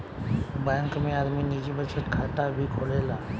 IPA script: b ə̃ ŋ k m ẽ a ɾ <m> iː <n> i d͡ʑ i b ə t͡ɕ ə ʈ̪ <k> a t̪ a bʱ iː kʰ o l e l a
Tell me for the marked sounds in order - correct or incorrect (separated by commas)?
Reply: correct, correct, incorrect